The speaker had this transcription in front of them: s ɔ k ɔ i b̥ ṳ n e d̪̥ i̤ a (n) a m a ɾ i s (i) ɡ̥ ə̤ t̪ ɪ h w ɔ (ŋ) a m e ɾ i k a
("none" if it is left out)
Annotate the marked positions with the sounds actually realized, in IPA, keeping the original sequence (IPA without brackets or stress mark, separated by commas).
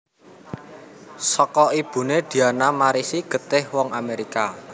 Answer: n, i, ŋ